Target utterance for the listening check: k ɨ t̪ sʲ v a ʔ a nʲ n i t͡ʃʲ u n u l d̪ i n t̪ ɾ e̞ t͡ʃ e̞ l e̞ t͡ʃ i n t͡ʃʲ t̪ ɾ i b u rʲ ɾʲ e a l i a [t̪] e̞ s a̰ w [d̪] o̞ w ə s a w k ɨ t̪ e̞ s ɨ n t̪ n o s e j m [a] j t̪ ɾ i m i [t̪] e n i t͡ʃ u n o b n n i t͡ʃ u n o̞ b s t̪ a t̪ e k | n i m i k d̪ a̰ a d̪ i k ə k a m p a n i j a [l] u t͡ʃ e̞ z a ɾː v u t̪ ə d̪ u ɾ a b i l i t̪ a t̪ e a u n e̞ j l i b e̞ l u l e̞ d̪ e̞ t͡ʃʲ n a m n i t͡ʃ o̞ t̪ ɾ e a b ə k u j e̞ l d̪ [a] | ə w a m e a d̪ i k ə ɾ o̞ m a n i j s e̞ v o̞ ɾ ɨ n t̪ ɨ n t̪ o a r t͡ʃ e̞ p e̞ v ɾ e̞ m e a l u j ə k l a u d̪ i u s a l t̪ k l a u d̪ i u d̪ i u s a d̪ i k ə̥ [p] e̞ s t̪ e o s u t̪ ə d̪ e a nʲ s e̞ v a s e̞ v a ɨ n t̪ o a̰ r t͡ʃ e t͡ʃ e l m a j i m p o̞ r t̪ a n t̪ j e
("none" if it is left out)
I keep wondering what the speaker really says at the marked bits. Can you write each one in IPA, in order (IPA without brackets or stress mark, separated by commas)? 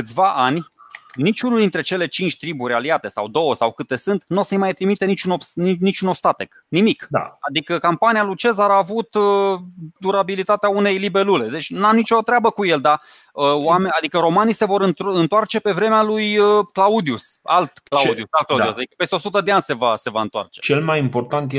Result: t̪, d̪, a, t̪, l, a, p